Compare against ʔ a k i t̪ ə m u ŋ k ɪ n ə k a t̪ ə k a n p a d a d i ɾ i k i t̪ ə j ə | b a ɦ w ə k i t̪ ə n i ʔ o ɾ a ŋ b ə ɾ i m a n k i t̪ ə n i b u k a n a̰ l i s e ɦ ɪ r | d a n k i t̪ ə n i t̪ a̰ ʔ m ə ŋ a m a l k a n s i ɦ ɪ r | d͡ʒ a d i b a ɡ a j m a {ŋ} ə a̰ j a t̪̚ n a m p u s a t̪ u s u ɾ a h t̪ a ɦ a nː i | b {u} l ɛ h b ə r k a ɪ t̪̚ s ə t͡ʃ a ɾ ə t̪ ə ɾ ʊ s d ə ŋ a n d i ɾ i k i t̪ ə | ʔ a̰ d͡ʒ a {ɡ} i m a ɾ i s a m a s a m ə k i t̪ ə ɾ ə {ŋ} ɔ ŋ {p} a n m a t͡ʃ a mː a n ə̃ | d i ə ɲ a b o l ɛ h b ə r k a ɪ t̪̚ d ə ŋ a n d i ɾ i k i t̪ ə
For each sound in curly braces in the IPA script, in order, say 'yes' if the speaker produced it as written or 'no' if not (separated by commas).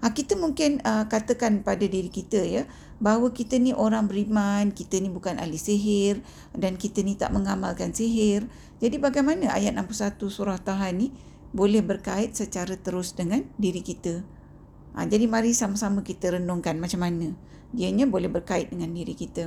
no, no, no, no, no